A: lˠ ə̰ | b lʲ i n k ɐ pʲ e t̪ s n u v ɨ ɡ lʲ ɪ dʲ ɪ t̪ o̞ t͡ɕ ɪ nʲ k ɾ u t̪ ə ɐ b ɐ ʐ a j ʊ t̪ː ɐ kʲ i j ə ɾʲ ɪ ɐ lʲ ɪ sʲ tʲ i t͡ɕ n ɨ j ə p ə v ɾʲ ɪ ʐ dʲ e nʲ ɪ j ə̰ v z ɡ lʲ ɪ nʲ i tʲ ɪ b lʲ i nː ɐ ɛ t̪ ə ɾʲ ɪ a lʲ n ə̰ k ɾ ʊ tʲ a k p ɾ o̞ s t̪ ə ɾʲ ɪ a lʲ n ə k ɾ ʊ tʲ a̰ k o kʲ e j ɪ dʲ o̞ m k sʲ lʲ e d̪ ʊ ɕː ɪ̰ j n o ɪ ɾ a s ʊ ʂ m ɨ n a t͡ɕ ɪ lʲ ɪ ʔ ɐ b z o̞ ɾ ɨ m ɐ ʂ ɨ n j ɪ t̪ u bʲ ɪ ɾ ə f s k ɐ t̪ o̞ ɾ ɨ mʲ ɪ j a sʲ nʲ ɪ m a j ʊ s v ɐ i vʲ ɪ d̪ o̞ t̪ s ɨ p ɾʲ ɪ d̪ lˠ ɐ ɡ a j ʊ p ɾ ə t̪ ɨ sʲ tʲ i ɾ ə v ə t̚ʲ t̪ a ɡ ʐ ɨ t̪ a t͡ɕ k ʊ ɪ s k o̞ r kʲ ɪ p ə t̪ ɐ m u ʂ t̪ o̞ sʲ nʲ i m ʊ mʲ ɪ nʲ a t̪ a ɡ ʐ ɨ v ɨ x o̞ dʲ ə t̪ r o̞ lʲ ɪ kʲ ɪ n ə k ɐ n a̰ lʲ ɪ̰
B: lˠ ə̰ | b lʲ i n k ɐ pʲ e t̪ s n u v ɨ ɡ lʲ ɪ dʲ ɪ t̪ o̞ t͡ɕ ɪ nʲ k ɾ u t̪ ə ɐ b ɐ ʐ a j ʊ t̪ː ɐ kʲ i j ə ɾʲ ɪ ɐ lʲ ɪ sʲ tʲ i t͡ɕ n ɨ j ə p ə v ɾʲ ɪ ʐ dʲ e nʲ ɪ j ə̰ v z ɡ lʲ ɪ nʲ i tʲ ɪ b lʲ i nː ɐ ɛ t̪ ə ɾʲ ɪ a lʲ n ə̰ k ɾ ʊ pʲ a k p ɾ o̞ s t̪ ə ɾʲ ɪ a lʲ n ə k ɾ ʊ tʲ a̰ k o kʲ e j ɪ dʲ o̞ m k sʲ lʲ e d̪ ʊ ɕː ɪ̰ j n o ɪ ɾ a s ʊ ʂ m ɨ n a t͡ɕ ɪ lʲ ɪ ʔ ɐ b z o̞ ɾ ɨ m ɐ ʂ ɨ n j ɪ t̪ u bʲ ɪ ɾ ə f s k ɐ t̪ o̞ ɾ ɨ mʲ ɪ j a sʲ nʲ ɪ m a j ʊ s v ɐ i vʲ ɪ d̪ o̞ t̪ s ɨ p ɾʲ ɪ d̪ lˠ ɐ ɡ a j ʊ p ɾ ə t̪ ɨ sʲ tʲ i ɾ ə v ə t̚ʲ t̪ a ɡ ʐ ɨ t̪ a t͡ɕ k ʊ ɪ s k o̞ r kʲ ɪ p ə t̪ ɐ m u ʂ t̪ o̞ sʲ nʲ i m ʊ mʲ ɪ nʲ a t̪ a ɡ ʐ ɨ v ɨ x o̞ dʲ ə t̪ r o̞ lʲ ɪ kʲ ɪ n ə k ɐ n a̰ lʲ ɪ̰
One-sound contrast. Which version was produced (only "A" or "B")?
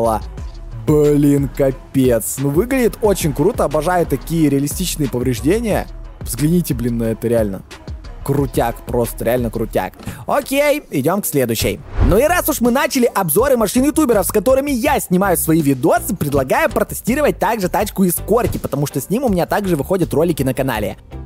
A